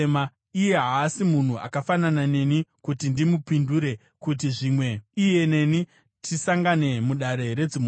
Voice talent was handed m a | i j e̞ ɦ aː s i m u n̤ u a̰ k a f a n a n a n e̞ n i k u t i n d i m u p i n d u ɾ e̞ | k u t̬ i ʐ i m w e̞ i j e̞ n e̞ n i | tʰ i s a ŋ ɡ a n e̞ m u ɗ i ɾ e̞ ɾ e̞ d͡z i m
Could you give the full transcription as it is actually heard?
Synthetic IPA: m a | i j e̞ ɦ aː s i m u n̤ u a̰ k a f a n a n a n e̞ n i k u t i n d i m u p i n d u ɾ e̞ | k u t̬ i ʐ i m w e̞ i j e̞ n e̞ n i | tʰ i s a ŋ ɡ a n e̞ m u ɗ a ɾ e̞ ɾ e̞ d͡z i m